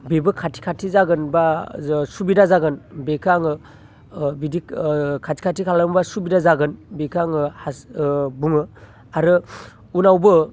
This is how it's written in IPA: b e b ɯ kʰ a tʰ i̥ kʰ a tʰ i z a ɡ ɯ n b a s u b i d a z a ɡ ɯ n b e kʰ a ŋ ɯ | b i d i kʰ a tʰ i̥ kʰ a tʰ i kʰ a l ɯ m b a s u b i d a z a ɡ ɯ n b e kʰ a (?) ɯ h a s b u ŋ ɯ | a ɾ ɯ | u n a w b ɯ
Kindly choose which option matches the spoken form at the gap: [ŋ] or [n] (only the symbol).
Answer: ŋ